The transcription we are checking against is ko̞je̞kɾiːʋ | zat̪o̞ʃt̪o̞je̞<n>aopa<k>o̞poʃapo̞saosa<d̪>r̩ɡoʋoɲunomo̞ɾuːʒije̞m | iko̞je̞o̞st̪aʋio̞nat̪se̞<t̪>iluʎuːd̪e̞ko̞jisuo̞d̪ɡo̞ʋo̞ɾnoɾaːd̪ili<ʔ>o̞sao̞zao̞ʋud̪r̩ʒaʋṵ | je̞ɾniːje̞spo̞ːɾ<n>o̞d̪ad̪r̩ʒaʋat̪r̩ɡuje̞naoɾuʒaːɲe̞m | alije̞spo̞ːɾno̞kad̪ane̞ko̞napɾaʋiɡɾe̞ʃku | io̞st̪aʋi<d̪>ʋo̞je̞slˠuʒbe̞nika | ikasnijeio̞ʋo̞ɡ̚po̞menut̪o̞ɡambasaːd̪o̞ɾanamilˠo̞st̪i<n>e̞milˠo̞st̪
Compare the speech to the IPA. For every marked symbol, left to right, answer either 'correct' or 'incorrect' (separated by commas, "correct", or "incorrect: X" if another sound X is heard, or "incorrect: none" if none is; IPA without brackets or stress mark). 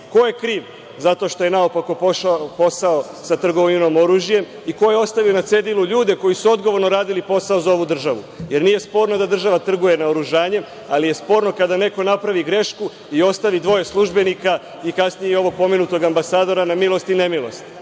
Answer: correct, correct, incorrect: t̪, incorrect: d̪, incorrect: p, correct, correct, correct